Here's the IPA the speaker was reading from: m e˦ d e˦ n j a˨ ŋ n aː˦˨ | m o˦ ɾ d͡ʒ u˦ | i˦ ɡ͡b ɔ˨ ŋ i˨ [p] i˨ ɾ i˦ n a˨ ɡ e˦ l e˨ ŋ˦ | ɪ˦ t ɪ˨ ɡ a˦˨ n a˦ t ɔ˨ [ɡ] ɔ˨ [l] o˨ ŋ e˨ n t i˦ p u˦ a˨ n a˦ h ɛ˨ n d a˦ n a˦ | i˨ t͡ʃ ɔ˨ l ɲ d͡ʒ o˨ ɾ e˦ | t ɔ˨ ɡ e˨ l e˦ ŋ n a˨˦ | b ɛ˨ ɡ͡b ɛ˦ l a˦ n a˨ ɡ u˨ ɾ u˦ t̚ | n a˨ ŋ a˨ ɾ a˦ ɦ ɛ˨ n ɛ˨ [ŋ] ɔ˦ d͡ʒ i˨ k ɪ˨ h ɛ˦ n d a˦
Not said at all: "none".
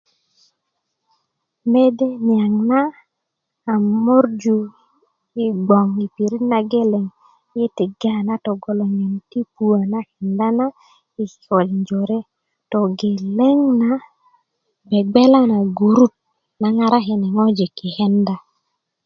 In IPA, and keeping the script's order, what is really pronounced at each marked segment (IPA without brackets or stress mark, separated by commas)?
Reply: p, ɡ, l, ŋ